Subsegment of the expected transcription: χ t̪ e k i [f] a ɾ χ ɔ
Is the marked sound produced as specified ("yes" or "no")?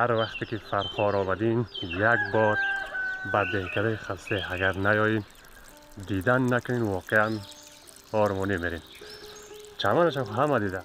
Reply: yes